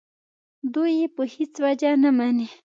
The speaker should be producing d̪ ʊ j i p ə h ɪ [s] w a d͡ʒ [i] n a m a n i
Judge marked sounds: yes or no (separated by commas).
no, no